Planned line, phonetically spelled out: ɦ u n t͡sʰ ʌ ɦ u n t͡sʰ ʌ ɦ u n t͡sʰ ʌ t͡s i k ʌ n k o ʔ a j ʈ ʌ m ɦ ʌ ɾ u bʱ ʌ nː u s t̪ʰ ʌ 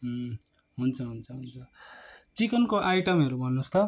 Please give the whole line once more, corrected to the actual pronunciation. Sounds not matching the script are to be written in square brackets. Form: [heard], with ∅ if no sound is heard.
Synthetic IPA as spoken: ɦ u n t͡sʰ ʌ ɦ u n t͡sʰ ʌ ɦ u n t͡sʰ ʌ t͡s i k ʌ n k o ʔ a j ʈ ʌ m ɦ ʌ ɾ u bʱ ʌ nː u s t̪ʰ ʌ